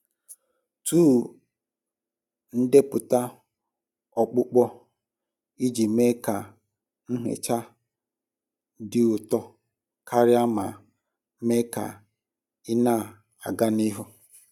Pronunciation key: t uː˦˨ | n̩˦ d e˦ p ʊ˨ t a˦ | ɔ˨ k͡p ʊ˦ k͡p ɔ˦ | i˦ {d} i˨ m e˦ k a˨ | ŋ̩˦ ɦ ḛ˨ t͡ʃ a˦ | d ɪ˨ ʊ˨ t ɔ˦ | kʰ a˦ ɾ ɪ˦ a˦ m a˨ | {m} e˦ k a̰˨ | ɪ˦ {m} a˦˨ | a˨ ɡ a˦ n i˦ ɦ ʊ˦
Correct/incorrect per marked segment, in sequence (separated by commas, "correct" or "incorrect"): incorrect, correct, incorrect